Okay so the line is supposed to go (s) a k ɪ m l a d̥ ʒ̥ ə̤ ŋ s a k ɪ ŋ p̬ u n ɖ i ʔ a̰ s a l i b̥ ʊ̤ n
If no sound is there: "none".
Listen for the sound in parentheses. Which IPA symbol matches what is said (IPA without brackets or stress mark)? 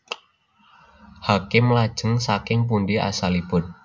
h